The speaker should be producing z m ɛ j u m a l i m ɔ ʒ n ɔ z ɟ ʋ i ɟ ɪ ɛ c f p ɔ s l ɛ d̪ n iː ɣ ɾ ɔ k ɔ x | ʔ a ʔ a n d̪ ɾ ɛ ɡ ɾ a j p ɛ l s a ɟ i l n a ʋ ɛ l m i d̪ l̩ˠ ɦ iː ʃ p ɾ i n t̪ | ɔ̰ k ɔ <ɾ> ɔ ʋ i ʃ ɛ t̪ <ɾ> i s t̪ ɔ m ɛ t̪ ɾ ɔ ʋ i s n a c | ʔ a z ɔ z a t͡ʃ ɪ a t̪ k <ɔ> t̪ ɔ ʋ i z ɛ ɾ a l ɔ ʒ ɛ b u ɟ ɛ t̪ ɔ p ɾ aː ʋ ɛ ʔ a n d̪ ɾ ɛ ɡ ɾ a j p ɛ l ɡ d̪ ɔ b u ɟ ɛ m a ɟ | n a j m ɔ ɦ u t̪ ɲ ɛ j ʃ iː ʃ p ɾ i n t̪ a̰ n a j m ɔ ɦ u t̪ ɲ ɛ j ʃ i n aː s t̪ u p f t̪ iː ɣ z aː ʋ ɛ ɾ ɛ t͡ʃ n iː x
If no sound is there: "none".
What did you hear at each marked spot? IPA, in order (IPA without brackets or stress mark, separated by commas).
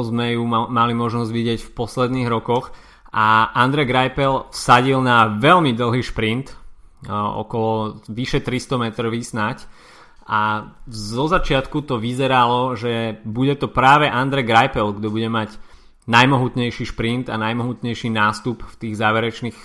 l, ɾ, u